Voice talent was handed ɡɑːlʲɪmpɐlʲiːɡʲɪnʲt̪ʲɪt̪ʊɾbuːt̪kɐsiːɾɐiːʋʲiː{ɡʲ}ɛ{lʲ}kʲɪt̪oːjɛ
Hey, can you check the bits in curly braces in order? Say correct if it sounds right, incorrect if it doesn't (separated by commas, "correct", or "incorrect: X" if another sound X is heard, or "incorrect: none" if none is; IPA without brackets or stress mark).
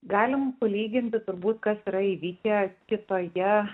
incorrect: kʲ, incorrect: none